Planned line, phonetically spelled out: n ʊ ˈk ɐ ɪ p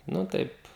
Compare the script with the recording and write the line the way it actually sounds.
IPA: n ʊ ˈt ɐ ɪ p